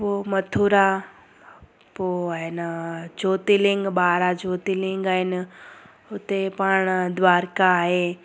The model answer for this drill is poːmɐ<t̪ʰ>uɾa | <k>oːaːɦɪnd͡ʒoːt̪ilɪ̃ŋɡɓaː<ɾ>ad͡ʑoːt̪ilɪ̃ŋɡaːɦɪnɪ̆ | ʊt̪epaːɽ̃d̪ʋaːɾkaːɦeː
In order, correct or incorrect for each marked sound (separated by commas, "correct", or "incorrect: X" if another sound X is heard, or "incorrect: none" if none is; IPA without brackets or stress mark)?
correct, incorrect: p, correct